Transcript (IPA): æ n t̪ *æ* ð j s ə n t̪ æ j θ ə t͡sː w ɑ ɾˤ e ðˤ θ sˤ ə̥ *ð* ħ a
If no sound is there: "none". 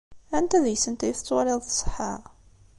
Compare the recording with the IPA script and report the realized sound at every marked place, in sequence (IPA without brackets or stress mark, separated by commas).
æ, none